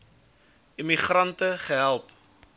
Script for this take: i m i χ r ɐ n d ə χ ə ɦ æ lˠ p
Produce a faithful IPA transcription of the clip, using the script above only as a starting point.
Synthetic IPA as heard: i m i χ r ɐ n t ə χ ə ɦ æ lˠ p